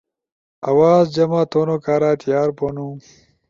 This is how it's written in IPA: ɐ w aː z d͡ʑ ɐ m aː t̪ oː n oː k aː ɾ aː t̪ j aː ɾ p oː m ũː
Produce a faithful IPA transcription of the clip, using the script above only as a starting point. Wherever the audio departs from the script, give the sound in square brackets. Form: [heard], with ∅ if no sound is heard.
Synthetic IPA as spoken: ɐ w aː z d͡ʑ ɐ m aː t̪ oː n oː k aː ɾ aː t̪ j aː ɾ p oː [n] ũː

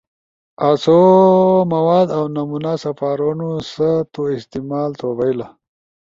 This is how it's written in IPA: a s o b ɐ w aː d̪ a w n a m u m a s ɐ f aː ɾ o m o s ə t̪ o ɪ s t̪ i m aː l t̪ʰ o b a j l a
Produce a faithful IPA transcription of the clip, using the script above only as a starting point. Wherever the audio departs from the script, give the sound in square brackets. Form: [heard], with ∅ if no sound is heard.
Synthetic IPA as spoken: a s o [m] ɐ w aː d̪ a w n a m u [n] a s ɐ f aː ɾ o [n] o s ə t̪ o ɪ s t̪ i m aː l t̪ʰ o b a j l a

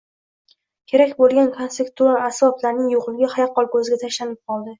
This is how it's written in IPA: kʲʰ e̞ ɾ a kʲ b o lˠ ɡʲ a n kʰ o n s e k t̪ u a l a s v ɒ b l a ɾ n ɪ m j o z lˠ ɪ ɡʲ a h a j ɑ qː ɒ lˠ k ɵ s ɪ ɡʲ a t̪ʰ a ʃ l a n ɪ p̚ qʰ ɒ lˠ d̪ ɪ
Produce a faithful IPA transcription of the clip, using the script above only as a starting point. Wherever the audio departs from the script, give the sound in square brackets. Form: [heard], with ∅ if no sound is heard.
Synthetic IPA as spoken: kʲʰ e̞ ɾ a kʲ b o lˠ ɡʲ a n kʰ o n s e k t̪ u a l a s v ɒ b l a ɾ n ɪ [ŋ] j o [ʁ] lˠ ɪ ɡʲ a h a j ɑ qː ɒ lˠ k ɵ [z] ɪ ɡʲ a t̪ʰ a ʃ l a n ɪ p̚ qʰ ɒ lˠ d̪ ɪ

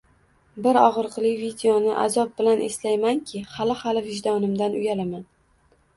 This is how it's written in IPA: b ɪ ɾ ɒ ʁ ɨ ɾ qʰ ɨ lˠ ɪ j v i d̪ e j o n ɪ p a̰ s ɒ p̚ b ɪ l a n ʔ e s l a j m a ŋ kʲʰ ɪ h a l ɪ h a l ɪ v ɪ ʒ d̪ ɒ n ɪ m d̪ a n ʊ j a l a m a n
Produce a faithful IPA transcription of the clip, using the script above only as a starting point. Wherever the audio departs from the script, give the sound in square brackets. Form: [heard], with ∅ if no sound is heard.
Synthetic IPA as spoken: b ɪ ɾ ɒ ʁ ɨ ɾ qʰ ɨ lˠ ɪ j v i d̪ e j o n ɪ [ʔ] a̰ [z] ɒ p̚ b ɪ l a n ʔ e s l a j m a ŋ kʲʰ ɪ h a l ɪ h a l ɪ v ɪ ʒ d̪ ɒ n ɪ m d̪ a n ʊ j a l a m a n

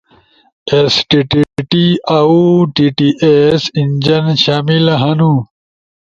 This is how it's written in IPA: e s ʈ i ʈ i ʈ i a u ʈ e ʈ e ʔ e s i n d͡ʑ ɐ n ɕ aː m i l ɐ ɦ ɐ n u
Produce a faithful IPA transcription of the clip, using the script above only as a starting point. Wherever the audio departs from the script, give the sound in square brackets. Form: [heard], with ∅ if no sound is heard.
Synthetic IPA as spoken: e s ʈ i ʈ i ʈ i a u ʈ [i] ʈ [i] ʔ e s i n d͡ʑ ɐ n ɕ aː m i l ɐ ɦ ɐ n u

